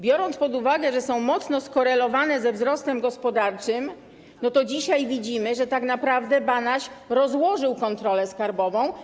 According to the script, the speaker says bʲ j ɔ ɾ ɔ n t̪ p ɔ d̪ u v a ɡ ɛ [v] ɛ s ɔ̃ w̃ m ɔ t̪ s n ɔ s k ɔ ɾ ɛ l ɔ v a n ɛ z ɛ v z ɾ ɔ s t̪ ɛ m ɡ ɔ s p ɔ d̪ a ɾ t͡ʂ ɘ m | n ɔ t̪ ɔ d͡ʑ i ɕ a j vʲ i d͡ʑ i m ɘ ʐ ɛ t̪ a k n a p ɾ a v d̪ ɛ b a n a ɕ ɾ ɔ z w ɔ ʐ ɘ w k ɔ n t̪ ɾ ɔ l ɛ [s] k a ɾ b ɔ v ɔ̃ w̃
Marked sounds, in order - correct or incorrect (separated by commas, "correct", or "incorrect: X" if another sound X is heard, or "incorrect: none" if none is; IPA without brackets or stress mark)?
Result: incorrect: ʐ, correct